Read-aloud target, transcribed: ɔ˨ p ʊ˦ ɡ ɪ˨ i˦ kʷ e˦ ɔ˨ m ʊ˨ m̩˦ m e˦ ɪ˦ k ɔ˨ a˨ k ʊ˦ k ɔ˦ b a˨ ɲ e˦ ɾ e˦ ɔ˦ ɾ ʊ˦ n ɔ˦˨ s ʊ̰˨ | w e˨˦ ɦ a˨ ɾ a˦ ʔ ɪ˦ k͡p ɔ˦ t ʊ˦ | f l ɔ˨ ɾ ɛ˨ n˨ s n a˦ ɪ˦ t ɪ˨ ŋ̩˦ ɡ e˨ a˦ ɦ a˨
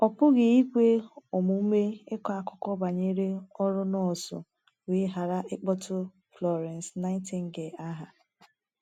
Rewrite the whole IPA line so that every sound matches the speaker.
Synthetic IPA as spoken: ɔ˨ p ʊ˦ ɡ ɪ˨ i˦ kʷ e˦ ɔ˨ m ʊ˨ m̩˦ m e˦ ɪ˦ k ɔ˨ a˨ k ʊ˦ k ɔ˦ b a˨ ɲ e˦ ɾ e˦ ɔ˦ ɾ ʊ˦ n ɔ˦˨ s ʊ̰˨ | w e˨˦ ɦ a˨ ɾ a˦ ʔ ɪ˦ k͡p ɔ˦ t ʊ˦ | f l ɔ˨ ɾ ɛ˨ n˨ s n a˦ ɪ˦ t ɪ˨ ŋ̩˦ ɡ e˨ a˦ ɦ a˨